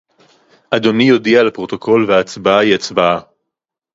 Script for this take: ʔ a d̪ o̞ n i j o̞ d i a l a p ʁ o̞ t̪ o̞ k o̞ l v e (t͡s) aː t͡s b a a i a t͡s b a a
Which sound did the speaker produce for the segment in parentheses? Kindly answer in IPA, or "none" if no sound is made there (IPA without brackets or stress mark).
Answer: none